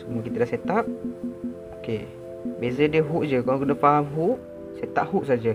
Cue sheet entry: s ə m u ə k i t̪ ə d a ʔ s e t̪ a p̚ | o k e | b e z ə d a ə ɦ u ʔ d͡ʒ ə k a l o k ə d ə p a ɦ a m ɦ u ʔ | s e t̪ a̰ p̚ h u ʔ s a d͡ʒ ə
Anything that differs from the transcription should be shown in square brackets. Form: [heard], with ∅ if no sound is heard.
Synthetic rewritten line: s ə m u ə k i t̪ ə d a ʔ s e t̪ a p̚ | o k e | b e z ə d [i] ə ɦ u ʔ d͡ʒ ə k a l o k ə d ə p a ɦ a m ɦ u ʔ | s e t̪ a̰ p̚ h u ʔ s a d͡ʒ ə